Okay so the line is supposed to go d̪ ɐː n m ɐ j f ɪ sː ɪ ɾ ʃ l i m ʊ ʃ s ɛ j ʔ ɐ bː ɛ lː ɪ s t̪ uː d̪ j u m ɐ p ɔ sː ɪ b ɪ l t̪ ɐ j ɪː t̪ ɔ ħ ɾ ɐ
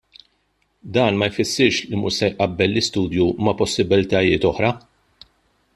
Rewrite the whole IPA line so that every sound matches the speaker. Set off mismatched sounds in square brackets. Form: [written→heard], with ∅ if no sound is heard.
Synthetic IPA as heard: d̪ ɐː n m ɐ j f ɪ sː ɪ ɾ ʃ l i m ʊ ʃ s ɛ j ʔ ɐ bː ɛ lː ɪ s t̪ uː d̪ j u m ɐ p ɔ sː ɪ b ɪ l t̪ ɐ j ɪː t̪ ɔ ħ ɾ ɐ

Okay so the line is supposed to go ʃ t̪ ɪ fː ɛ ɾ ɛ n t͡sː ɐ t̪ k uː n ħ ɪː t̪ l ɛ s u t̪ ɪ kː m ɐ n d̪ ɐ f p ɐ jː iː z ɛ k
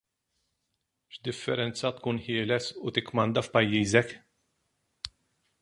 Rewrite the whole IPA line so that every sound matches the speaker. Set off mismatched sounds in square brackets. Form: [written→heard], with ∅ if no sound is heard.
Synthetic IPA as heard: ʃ [t̪→d̪] ɪ fː ɛ ɾ ɛ n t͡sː ɐ t̪ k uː n ħ ɪː [t̪→∅] l ɛ s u t̪ ɪ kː m ɐ n d̪ ɐ f p ɐ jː iː z ɛ k

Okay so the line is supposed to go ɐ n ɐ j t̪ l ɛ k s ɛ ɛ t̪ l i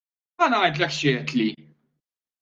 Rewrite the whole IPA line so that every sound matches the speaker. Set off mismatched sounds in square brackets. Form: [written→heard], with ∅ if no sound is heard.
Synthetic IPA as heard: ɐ n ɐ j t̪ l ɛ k [s→ʃ] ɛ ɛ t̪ l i

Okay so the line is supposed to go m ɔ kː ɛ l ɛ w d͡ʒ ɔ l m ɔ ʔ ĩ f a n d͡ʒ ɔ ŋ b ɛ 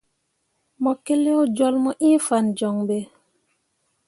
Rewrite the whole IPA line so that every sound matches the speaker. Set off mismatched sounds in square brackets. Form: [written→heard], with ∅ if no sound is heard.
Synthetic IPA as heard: m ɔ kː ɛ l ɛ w d͡ʒ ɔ l m ɔ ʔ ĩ f a n d͡ʒ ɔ ŋ b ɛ

